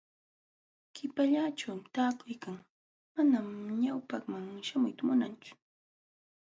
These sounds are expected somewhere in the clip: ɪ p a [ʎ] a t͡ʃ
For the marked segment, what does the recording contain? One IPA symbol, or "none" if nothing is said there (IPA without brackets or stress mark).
ʎ